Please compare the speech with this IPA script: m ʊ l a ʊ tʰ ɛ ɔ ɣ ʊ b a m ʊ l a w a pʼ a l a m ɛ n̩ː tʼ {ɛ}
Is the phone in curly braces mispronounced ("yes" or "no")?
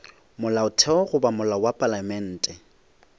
no